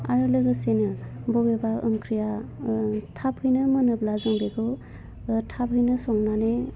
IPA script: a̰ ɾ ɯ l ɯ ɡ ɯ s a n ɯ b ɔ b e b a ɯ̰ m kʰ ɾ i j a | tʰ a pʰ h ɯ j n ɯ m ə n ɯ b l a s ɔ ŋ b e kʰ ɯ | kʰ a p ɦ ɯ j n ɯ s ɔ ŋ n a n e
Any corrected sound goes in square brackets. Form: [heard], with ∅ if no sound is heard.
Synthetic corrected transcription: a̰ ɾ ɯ l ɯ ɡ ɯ s [e] n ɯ b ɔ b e b a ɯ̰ m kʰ ɾ i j a | tʰ a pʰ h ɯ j n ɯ m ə n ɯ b l a [z] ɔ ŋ b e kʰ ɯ | [tʰ] a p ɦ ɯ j n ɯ s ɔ ŋ n a n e